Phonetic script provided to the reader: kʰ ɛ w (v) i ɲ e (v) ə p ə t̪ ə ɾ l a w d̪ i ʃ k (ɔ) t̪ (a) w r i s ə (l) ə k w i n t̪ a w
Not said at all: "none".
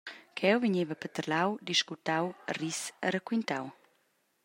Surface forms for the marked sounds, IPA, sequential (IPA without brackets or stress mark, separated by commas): v, v, u, a, ɾ